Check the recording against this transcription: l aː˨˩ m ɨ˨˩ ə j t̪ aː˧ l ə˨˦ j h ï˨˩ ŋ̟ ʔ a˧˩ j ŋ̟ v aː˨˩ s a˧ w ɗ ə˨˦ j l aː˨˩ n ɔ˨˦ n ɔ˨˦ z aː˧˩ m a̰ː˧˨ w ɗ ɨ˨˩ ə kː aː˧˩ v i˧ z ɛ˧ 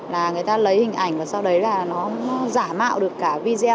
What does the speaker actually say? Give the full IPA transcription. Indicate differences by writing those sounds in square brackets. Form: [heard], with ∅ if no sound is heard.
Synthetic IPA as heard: l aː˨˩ [ŋ] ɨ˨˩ ə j t̪ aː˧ l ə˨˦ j h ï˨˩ ŋ̟ ʔ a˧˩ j ŋ̟ v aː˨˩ s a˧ w ɗ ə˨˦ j l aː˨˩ n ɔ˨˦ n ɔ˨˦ z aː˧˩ m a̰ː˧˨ w ɗ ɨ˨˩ ə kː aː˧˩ v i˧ z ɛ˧